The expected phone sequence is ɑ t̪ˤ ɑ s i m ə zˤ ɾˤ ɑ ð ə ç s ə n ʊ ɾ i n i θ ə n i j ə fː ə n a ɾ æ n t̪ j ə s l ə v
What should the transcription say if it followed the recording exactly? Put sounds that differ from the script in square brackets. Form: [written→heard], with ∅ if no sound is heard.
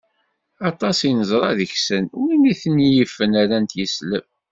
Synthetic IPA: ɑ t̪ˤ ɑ s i [m→n] ə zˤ ɾˤ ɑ ð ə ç s ə n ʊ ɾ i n i θ ə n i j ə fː ə n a ɾ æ n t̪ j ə s l ə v

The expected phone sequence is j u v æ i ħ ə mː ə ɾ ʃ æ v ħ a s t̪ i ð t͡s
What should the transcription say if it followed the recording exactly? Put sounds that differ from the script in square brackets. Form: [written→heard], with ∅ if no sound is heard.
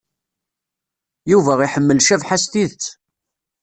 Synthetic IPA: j u v æ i ħ ə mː ə [ɾ→l] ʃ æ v ħ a s t̪ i ð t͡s

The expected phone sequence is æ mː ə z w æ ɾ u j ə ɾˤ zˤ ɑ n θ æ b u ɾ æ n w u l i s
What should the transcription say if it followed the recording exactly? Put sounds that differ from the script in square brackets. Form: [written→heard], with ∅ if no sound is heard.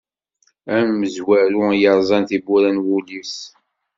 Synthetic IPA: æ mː ə z w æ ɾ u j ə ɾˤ zˤ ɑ n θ [æ→i] b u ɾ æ n w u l i s

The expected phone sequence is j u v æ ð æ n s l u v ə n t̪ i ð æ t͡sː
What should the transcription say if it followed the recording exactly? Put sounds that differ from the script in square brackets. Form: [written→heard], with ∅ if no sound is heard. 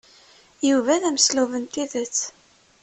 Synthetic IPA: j u v æ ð æ [n→m] s l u v ə n t̪ i ð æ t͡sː

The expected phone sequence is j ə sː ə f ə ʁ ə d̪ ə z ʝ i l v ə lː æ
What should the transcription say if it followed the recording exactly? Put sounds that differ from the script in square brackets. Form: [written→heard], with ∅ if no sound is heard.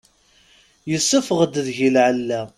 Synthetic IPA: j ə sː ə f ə ʁ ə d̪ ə [z→ð] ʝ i l [v→ʕ] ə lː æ

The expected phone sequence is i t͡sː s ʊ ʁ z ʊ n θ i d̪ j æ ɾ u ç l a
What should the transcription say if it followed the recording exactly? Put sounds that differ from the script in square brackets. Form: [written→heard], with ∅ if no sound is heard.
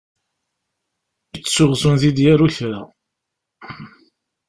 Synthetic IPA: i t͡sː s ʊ ʁ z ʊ n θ i d̪ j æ ɾ u ç [l→ɾ] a

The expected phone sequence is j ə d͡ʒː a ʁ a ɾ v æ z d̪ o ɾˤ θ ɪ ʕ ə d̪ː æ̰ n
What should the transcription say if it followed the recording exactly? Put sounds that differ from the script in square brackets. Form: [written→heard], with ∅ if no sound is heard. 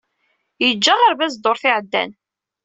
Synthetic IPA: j ə d͡ʒː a ʁ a ɾ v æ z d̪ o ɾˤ θ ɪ ʕ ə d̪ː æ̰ n

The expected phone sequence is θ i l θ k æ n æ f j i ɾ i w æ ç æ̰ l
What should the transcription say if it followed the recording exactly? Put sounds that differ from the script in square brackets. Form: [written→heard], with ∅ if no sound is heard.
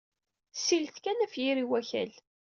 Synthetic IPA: [θ→s] i l θ k æ n æ f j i ɾ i w æ ç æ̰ l

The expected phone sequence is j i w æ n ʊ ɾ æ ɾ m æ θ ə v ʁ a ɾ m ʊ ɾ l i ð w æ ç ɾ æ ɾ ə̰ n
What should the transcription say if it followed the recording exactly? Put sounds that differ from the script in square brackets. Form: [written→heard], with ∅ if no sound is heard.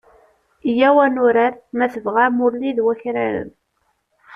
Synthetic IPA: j [i→æ] w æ n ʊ ɾ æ ɾ m æ θ ə v ʁ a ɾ m ʊ ɾ l i ð w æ ç ɾ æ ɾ ə̰ n

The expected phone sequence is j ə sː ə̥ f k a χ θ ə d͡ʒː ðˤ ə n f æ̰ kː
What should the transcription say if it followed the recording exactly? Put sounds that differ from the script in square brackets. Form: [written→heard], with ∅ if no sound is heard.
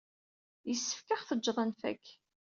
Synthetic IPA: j ə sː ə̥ f k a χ θ ə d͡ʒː ðˤ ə n f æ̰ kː

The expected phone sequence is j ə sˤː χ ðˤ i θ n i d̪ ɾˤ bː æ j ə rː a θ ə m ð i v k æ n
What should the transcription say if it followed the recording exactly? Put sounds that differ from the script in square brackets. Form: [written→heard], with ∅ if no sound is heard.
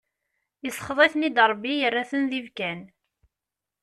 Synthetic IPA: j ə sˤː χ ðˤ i θ n i d̪ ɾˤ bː [æ→i] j ə rː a θ ə [m→n] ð i v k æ n

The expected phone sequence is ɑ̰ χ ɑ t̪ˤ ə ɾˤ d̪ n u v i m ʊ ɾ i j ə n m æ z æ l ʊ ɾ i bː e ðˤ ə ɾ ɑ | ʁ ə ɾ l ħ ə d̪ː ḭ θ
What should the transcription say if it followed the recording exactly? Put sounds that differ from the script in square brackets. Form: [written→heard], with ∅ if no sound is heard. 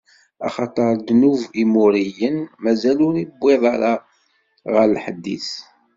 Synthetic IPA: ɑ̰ χ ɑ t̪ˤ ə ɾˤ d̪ n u v i m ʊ ɾ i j ə n m æ z æ l ʊ ɾ i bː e ðˤ [ə→ɑ] ɾ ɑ | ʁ ə ɾ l ħ ə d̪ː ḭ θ

